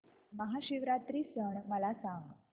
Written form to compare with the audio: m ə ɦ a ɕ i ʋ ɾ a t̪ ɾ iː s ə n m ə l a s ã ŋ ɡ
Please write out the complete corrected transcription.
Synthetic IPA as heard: m ə ɦ a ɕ i ʋ ɾ a t̪ ɾ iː s ə ɳ m ə l a s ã ŋ ɡ